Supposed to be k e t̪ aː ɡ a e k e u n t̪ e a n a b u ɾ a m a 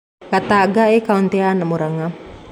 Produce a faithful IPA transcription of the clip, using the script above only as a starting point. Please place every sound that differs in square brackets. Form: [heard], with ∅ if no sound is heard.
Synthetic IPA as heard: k [a] t̪ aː ɡ a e k [a] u n t̪ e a n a [m] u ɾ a [ŋ] a